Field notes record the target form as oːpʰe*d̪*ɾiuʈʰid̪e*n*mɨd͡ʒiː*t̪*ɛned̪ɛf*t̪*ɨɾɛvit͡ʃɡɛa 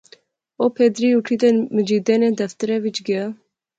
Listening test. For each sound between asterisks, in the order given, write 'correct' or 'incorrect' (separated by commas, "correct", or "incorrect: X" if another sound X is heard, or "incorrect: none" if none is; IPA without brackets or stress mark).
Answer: correct, correct, incorrect: d̪, correct